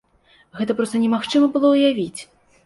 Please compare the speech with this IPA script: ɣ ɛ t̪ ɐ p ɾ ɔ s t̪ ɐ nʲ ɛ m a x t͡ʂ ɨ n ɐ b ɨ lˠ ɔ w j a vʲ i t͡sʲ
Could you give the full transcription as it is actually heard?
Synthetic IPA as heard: ɣ ɛ t̪ ɐ p ɾ ɔ s t̪ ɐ nʲ ɛ m a x t͡ʂ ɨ m ɐ b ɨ lˠ ɔ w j a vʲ i t͡sʲ

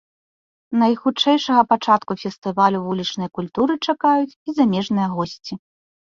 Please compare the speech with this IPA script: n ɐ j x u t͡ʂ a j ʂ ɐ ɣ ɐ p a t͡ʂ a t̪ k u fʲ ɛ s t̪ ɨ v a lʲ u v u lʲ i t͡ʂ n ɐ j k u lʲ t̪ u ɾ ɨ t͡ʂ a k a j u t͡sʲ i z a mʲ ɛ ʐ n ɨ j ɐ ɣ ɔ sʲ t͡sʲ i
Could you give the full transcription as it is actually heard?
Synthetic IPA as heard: n ɐ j x u t͡ʂ ɛ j ʂ ɐ ɣ ɐ p a t͡ʂ a t̪ k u fʲ ɛ s t̪ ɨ v a lʲ u v u lʲ i t͡ʂ n ɐ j k u lʲ t̪ u ɾ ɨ t͡ʂ a k a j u t͡sʲ i z a mʲ ɛ ʐ n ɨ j ɐ ɣ ɔ sʲ t͡sʲ i

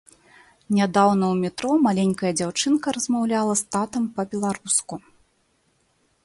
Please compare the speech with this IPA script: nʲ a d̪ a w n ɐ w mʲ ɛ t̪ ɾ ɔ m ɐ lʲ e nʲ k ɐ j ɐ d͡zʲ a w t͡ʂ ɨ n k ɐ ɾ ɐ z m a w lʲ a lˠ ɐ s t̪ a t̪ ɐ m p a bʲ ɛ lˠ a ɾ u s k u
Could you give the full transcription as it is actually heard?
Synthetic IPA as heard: nʲ a d̪ a w n ɐ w mʲ ɛ t̪ ɾ ɔ m a lʲ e nʲ k ɐ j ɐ d͡zʲ a w t͡ʂ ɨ n k ɐ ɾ ɐ z m a w lʲ a lˠ ɐ s t̪ a t̪ ɐ m p ɐ bʲ ɛ lˠ a ɾ u s k u

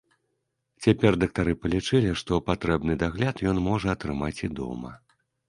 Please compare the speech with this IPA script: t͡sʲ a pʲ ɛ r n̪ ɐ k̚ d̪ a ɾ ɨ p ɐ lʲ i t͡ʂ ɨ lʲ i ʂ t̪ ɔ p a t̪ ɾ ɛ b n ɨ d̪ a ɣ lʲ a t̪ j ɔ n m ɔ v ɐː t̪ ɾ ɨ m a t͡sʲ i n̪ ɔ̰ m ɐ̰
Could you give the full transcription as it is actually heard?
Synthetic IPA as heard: t͡sʲ a pʲ ɛ r d̪ ɐ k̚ t̪ a ɾ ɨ p ɐ lʲ i t͡ʂ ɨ lʲ i ʂ t̪ ɔ p a t̪ ɾ ɛ b n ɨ d̪ a ɣ lʲ a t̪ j ɔ n m ɔ ʐ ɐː t̪ ɾ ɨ m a t͡sʲ i d̪ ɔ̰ m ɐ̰

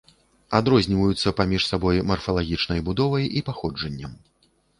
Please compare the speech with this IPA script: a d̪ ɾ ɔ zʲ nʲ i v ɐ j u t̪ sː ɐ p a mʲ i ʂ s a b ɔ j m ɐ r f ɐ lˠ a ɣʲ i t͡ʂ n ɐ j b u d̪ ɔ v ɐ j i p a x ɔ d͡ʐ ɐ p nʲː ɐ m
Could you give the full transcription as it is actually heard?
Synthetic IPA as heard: a d̪ ɾ ɔ zʲ nʲ i v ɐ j u t̪ sː ɐ p a mʲ i ʂ s a b ɔ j m ɐ r f ɐ lˠ a ɣʲ i t͡ʂ n ɐ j b u d̪ ɔ v ɐ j i p a x ɔ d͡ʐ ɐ nʲː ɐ m

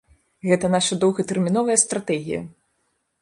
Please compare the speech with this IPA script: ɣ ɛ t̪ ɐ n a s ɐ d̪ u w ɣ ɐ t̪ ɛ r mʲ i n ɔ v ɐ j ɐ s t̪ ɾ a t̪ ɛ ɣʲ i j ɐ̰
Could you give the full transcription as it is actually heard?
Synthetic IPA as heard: ɣ ɛ t̪ ɐ n a ʂ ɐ d̪ ɔ w ɣ ɐ t̪ ɛ r mʲ i n ɔ v ɐ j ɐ s t̪ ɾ a t̪ ɛ ɣʲ i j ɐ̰

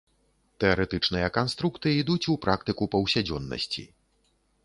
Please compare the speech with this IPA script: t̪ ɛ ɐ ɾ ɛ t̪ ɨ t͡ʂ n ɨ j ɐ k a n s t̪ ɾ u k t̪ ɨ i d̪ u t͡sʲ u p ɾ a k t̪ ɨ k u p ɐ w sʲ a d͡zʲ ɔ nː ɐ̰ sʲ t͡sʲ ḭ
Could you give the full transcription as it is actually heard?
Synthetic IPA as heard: t̪ ɛ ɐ ɾ ɛ t̪ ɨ t͡ʂ n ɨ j ɐ k a n s t̪ ɾ u k t̪ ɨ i d̪ u t͡sʲ u p ɾ a k t̪ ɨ k u p ɐ w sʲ a d͡zʲ ɔ nː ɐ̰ sʲ t͡sʲ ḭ

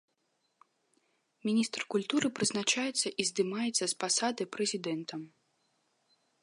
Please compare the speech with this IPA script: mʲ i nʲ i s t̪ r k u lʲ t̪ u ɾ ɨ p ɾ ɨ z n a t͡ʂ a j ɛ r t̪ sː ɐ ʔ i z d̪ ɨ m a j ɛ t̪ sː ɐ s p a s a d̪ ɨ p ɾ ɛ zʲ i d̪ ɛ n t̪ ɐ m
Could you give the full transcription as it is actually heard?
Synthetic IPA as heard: mʲ i nʲ i s t̪ r k u lʲ t̪ u ɾ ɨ p ɾ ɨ z n a t͡ʂ a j ɛ t̪ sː ɐ ʔ i z d̪ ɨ m a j ɛ t̪ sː ɐ s p a s a d̪ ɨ p ɾ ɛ zʲ i d̪ ɛ n t̪ ɐ m

